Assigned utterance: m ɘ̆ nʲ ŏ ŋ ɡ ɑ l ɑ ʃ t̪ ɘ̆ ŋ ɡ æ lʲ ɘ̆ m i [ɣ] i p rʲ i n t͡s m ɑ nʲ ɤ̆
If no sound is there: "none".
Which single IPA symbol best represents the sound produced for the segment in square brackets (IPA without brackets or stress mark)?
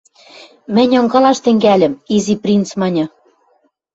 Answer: z